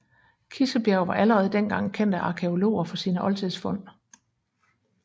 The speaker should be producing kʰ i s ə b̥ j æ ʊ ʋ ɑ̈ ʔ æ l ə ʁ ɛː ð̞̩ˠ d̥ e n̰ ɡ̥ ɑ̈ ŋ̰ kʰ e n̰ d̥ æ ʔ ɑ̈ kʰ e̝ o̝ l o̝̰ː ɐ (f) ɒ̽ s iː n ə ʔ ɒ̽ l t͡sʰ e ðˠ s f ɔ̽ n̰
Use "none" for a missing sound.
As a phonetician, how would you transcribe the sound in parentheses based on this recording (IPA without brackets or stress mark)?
f